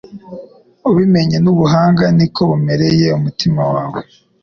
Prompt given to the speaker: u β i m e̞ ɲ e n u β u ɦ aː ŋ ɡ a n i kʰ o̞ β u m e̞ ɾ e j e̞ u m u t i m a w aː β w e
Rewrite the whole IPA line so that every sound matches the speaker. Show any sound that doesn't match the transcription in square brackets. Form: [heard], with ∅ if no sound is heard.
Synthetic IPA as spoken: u β i m e̞ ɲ e n u β u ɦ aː ŋ ɡ a n i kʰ o̞ β u m e̞ ɾ e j e̞ u m u t i m a w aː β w e